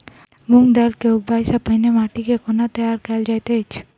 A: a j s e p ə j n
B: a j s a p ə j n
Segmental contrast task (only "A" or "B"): B